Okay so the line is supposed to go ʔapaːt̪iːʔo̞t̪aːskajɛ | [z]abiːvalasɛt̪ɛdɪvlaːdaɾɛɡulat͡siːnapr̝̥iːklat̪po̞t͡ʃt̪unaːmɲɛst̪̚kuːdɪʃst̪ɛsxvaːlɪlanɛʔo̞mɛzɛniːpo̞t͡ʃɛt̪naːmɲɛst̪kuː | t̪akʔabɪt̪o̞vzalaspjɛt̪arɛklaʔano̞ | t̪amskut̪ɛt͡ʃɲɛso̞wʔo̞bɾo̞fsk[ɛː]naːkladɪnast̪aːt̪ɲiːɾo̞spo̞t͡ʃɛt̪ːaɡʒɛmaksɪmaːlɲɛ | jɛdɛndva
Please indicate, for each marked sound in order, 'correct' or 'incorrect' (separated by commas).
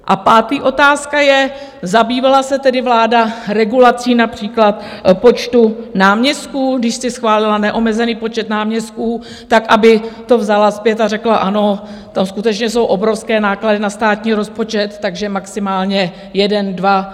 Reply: correct, correct